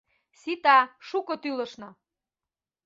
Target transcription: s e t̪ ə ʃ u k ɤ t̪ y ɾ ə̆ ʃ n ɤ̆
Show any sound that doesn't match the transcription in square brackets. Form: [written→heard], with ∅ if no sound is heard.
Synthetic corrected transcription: s [e→i] t̪ [ə→ɑ] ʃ u k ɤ t̪ y [ɾ→l] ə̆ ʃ n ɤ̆

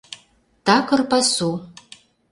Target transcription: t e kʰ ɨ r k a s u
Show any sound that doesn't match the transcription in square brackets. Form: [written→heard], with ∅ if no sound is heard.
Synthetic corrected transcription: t [e→a] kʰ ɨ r [k→p] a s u

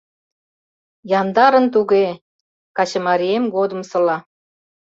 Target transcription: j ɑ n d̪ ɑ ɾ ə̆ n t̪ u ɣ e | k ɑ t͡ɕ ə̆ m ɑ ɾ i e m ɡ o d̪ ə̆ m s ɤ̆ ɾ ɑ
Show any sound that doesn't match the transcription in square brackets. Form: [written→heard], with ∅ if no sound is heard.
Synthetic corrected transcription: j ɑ n d̪ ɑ ɾ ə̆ n t̪ u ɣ e | k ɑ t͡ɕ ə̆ m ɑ ɾ i e m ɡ o d̪ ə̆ m s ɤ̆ [ɾ→l] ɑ

